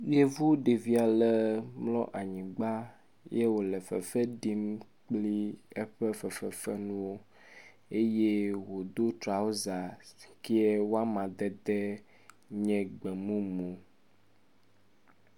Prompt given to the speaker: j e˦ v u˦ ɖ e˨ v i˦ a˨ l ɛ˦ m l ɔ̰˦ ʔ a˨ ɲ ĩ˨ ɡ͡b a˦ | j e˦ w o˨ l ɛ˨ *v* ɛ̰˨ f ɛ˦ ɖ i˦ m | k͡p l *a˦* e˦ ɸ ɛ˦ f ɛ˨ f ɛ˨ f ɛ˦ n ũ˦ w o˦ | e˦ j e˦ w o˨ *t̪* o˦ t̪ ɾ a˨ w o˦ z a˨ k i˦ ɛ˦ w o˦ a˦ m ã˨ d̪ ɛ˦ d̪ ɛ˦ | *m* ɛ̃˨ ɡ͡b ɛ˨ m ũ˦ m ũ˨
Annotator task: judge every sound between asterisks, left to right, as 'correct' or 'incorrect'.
incorrect: f, incorrect: i˦, incorrect: d̪, incorrect: ɲ

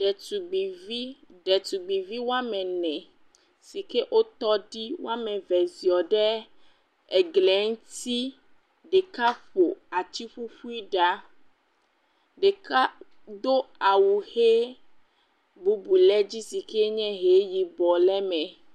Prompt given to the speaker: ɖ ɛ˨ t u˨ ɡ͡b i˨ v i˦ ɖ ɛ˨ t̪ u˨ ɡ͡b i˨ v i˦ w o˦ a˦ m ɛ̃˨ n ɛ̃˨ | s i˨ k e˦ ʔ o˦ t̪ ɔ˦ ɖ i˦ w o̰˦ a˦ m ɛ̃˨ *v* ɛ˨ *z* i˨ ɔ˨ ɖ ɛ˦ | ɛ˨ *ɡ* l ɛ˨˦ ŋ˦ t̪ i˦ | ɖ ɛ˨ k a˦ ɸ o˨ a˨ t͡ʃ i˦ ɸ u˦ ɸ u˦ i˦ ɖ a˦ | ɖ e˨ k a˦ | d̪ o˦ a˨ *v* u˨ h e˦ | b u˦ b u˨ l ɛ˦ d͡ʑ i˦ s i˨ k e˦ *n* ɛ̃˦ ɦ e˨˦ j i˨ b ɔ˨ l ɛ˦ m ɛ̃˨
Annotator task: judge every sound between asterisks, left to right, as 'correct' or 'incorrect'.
correct, correct, correct, incorrect: w, incorrect: ɲ

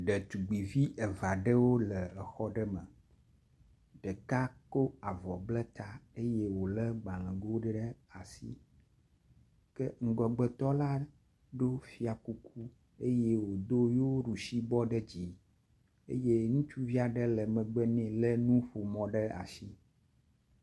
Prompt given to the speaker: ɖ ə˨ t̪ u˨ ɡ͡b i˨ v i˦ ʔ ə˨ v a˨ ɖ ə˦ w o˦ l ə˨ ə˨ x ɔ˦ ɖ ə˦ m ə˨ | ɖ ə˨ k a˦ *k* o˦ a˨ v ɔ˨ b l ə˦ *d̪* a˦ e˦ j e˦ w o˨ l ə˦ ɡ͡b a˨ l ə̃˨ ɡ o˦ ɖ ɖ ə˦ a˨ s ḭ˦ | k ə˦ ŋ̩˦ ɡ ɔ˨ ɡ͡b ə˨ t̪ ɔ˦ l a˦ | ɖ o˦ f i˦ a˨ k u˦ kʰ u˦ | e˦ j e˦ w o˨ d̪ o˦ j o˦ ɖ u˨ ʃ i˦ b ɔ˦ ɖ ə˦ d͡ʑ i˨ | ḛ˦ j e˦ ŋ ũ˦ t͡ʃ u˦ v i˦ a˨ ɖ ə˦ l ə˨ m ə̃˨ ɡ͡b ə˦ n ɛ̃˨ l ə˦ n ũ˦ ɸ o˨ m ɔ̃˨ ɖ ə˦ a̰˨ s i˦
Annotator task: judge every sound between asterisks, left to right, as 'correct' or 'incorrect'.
correct, incorrect: t̪

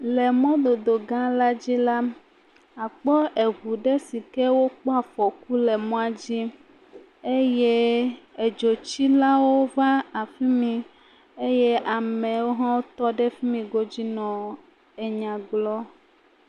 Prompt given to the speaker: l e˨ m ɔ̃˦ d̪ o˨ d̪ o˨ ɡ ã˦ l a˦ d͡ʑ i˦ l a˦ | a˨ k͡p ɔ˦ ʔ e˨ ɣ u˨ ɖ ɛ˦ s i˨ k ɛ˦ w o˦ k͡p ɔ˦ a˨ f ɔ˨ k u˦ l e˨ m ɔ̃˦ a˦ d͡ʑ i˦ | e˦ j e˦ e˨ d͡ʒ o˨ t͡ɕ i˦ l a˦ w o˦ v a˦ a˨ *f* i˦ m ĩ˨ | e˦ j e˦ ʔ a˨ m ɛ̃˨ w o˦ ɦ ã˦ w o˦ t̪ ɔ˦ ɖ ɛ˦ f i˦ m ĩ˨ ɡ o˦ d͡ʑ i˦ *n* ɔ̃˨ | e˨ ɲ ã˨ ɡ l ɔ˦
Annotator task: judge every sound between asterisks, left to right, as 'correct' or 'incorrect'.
correct, correct

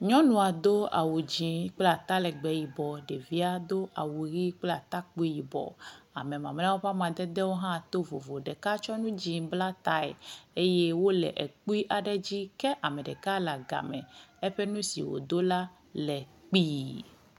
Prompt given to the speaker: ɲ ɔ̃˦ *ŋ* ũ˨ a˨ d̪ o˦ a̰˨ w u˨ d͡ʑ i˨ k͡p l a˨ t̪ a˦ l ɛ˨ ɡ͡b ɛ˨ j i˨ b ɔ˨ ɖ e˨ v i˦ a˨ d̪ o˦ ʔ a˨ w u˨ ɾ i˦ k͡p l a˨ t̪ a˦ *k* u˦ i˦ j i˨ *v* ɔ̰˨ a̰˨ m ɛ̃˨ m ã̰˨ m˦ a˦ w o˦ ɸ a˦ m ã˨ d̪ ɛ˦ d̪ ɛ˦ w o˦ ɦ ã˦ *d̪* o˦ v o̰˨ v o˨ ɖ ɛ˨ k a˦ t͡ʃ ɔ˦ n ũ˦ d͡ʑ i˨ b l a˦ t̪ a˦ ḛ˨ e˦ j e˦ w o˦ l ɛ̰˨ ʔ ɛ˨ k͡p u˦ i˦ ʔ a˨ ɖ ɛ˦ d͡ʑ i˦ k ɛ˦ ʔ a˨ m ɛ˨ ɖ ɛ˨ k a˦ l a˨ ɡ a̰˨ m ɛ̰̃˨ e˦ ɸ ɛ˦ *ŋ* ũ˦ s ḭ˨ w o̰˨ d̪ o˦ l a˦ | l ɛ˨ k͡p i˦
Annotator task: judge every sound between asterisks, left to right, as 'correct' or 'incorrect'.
incorrect: n, incorrect: k͡p, incorrect: b, incorrect: t̪, incorrect: n

